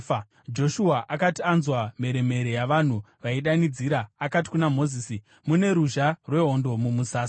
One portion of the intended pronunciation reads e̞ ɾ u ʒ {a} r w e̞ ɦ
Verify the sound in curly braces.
correct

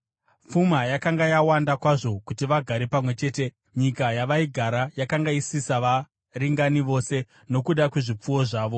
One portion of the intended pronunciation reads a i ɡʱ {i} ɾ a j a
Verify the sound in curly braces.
incorrect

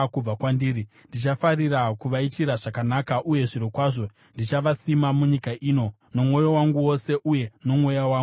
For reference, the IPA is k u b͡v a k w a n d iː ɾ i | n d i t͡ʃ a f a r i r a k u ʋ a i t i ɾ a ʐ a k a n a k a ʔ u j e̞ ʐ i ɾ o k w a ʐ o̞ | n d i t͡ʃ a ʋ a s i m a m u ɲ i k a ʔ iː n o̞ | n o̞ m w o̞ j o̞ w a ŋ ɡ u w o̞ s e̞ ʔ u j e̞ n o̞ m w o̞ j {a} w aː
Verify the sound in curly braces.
correct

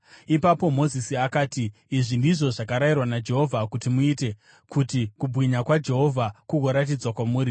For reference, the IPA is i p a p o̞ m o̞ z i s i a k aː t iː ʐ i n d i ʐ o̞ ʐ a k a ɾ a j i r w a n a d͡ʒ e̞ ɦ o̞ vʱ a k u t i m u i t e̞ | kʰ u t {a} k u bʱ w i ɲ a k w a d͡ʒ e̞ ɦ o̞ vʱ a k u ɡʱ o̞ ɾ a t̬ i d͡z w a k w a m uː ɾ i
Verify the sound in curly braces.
incorrect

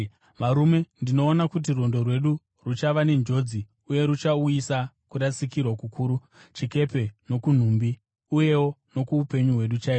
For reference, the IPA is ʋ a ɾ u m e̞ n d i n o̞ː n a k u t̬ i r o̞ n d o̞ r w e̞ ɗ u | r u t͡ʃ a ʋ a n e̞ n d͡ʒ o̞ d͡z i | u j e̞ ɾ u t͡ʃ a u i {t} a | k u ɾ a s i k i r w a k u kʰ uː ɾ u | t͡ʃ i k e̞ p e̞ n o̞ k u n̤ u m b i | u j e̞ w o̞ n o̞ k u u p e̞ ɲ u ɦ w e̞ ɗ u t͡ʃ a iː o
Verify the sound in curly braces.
incorrect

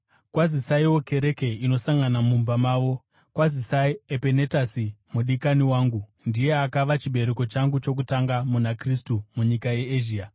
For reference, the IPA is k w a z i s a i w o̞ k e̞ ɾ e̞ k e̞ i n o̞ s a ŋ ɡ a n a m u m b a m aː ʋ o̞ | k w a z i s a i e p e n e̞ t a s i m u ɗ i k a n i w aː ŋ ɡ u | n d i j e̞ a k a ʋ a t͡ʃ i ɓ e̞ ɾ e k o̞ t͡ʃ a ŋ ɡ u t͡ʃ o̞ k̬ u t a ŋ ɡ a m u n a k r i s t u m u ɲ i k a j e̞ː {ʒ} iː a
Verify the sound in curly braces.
correct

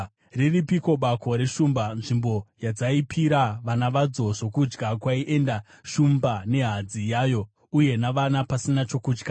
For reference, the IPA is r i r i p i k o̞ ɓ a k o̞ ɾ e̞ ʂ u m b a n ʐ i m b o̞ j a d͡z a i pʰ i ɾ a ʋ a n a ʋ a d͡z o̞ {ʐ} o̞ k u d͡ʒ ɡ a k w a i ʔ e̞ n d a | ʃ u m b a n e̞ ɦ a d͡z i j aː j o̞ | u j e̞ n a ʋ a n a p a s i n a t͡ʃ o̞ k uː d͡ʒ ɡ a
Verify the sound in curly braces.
correct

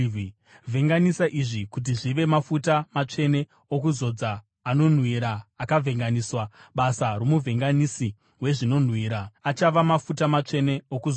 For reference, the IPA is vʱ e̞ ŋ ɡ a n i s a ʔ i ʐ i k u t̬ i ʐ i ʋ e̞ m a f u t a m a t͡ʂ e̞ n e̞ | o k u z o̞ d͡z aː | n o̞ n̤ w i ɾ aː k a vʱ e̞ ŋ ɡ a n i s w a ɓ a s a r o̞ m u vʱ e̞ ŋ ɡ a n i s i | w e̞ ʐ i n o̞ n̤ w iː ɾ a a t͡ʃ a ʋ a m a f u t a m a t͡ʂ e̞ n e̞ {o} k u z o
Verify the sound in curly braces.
correct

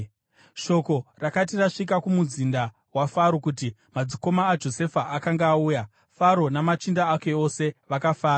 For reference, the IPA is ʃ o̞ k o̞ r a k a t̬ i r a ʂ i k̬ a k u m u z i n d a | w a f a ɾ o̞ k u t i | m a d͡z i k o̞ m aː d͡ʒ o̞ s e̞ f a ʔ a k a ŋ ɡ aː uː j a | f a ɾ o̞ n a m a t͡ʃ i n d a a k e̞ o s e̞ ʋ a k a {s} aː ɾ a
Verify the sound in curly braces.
incorrect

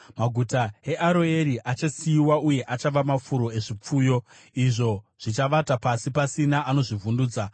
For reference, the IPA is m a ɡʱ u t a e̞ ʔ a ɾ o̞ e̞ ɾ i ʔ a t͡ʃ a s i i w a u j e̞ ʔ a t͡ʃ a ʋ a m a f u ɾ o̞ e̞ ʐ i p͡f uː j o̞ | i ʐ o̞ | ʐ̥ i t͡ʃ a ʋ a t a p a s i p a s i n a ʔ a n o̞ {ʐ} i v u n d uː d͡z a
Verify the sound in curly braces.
correct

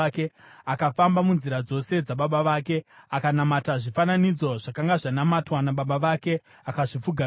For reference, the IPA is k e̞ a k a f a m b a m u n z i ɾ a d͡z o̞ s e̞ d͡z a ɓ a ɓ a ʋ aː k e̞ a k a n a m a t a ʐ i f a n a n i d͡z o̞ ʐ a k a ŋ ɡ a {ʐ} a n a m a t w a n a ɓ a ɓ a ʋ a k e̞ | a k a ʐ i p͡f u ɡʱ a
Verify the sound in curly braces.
correct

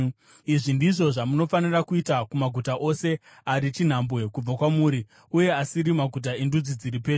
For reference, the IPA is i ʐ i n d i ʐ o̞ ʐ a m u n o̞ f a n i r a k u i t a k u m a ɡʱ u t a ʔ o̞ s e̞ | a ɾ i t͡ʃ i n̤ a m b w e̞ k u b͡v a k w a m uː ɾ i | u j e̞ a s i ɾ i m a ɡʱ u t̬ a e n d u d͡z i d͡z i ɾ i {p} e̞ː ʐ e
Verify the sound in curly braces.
correct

